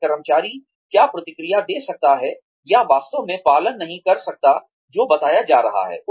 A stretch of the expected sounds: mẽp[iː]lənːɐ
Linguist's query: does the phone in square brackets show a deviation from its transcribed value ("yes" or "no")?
yes